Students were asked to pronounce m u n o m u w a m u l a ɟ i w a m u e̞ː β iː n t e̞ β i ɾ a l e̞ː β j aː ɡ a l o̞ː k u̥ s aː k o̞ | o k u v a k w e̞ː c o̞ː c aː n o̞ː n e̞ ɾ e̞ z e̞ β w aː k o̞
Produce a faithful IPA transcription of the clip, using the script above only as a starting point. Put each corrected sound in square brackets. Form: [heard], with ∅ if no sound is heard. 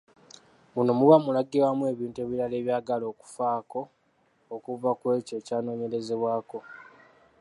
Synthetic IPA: m u n o m u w a m u l a [ɡ] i w a m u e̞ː β iː n t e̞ β i ɾ a l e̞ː β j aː ɡ a l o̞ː k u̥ [f] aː k o̞ | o k u v a k w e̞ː c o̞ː c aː n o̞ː [ɲ] e̞ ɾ e̞ z e̞ β w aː k o̞

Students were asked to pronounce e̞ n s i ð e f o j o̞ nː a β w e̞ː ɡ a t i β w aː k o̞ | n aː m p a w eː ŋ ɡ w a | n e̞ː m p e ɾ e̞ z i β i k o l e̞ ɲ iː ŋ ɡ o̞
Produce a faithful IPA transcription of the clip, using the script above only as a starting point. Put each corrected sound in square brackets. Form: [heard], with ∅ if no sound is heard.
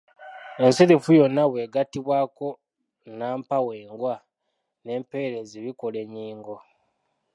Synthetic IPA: e̞ n s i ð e f [u] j o̞ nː a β w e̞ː ɡ a t i β w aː k o̞ | n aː m p a w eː ŋ ɡ w a | n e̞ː m p e ɾ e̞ z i β i k o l e̞ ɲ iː ŋ ɡ o̞

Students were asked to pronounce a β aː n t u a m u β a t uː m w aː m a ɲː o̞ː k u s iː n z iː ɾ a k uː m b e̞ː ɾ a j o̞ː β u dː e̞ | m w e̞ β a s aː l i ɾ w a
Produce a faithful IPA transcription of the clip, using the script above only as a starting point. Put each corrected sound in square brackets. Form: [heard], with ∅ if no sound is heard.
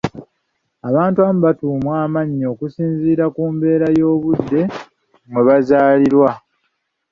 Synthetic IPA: a β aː n t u a m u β a t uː m w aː m a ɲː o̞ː k u s iː n z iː ɾ a k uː m b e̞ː ɾ a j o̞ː β u dː e̞ | m w e̞ β a [z] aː l i ɾ w a

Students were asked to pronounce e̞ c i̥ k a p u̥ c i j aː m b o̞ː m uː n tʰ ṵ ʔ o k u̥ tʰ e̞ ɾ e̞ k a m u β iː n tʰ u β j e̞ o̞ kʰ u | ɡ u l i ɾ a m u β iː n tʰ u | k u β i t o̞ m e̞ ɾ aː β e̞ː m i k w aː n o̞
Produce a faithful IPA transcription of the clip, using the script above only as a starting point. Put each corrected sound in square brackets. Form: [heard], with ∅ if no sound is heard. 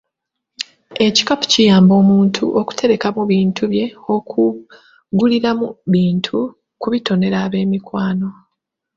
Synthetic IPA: e̞ c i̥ k a p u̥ c i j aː m b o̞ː m uː n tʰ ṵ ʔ o k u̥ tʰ e̞ ɾ e̞ k a m u β iː n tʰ u β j e̞ o̞ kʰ u | ɡ u l i ɾ a m u β iː n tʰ u | k u β i t o̞ [n] e̞ ɾ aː β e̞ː m i k w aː n o̞

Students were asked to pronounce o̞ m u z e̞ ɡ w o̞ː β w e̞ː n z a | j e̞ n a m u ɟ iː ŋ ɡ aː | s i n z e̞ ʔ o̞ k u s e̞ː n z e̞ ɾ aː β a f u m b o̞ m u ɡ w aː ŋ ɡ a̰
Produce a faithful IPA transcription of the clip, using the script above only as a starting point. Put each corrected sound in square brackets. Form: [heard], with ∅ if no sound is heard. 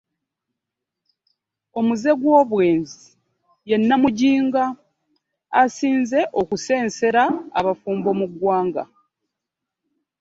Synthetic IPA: o̞ m u z e̞ ɡ w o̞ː β w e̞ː n z [i] | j e̞ [nː] a m u ɟ iː ŋ ɡ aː | s [iː] n z e̞ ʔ o̞ k u s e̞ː n [s] e̞ ɾ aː β a f [uː] m b o̞ m u ɡ w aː ŋ ɡ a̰

